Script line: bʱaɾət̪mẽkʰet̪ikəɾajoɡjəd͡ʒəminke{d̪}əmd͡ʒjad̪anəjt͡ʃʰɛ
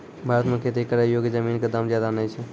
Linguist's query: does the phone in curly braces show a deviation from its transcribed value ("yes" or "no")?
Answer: no